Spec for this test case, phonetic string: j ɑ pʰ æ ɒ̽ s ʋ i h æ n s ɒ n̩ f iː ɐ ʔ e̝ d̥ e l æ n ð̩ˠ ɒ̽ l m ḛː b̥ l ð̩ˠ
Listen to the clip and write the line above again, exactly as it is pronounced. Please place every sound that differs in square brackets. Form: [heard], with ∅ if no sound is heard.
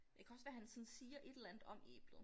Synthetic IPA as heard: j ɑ [kʰ] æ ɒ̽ s ʋ [æ] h æ n s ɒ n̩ [s] iː ɐ ʔ e̝ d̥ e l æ n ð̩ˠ ɒ̽ [∅] m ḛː b̥ l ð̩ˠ